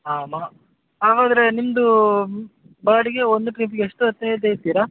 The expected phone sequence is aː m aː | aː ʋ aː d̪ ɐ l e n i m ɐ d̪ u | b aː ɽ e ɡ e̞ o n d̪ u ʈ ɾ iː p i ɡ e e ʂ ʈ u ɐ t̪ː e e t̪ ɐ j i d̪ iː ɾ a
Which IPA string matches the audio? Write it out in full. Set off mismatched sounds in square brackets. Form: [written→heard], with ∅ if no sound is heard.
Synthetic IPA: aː m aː | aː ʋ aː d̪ ɐ [l→ɾ] e n i m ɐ d̪ u | b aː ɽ [e→i] ɡ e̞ o n d̪ u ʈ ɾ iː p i ɡ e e ʂ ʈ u ɐ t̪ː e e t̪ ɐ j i [d̪→t̪] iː ɾ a